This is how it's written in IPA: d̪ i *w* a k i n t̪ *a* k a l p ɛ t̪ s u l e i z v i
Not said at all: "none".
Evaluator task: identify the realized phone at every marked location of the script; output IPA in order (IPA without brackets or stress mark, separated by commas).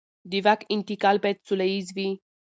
v, i